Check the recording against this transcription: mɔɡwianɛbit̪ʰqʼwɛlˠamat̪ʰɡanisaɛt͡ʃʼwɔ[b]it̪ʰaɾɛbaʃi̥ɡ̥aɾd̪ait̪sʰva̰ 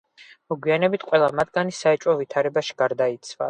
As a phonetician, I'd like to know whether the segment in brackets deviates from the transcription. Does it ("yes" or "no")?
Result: yes